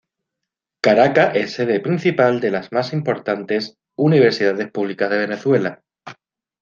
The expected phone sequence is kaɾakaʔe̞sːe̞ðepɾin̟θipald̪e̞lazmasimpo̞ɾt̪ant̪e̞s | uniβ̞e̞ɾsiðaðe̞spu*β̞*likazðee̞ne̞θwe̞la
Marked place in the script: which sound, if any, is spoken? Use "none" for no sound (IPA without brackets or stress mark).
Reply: β̞